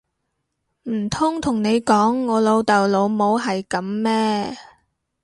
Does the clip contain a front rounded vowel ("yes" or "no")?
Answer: no